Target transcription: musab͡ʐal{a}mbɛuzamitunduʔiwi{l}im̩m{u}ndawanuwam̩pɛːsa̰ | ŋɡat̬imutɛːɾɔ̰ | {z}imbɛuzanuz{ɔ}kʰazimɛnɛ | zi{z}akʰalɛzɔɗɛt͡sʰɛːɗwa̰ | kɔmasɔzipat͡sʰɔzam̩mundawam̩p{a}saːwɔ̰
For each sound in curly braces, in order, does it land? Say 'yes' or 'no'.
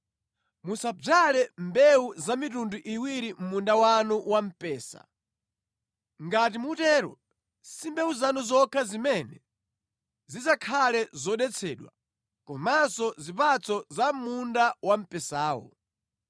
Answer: no, no, yes, no, yes, yes, no

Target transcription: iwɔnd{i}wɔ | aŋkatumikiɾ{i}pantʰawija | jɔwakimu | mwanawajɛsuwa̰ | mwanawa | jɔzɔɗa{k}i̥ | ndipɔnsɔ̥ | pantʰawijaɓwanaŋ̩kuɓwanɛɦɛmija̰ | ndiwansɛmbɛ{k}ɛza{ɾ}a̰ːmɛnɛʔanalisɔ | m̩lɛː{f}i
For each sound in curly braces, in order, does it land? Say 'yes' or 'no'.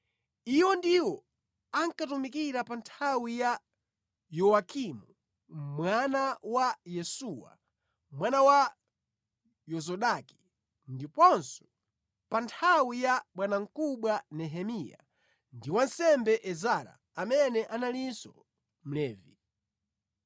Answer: yes, no, yes, no, yes, no

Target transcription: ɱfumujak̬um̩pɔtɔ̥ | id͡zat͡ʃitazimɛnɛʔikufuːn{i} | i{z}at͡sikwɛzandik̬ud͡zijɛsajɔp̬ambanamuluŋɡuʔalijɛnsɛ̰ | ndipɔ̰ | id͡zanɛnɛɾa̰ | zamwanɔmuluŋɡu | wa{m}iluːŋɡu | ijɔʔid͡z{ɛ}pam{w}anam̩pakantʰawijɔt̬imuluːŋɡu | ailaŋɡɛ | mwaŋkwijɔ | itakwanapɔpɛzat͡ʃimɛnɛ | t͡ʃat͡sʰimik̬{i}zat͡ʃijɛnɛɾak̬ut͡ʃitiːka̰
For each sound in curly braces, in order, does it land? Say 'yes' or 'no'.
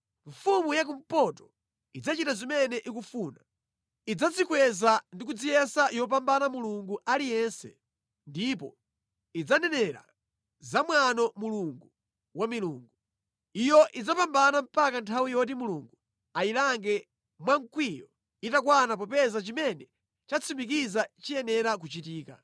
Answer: no, no, yes, no, no, yes

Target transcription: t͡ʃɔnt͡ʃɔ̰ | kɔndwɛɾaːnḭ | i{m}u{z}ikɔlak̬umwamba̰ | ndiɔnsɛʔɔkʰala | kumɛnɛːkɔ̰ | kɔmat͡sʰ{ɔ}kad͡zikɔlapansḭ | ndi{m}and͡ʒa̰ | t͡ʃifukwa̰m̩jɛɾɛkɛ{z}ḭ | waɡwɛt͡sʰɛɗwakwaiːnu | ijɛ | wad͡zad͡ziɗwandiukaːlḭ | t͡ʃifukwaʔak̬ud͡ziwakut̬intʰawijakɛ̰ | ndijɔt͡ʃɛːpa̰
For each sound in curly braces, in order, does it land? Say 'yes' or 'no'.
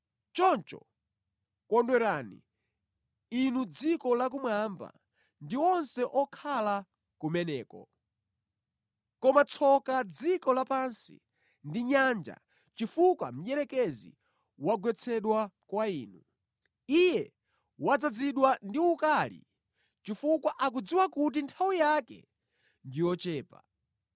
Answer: no, no, yes, no, yes

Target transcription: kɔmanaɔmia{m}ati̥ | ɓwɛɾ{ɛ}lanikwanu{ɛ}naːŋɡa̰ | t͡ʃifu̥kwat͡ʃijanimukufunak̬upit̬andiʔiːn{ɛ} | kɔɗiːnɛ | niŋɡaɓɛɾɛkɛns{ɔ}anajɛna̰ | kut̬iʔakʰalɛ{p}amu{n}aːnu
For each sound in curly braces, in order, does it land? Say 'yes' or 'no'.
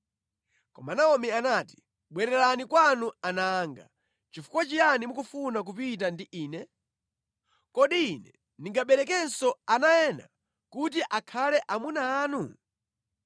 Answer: no, yes, no, yes, yes, no, yes

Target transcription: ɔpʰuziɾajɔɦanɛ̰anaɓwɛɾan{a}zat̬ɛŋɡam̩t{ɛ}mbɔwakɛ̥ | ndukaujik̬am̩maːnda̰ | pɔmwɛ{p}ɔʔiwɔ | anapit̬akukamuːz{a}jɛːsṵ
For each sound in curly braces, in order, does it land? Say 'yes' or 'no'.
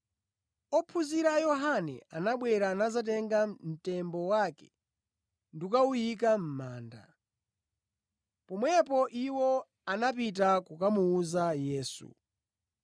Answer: yes, yes, yes, yes

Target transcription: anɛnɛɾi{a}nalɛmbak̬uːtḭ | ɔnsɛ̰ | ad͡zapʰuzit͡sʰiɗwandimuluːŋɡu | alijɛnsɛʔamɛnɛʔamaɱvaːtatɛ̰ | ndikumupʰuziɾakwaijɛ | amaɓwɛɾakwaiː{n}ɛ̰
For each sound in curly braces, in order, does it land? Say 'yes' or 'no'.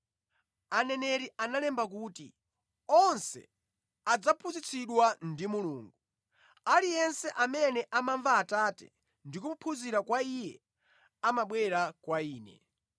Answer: yes, yes

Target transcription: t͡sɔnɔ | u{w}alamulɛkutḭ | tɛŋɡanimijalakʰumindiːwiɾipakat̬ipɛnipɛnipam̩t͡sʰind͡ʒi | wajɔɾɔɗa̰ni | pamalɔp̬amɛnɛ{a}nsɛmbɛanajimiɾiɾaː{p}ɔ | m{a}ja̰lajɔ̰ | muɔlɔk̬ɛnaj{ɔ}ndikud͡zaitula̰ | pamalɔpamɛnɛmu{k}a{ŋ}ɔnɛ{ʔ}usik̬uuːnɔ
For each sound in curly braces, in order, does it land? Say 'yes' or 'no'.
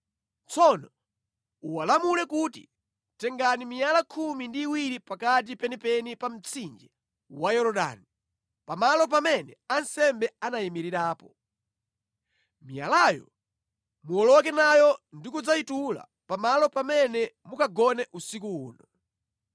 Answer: yes, yes, yes, no, yes, yes, no, yes

